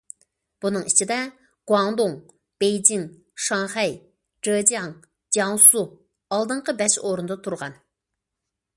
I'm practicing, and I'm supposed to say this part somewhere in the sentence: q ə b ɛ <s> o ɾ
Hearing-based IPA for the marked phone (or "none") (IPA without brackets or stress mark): ʃ